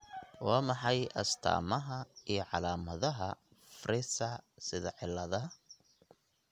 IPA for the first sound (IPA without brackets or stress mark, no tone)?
w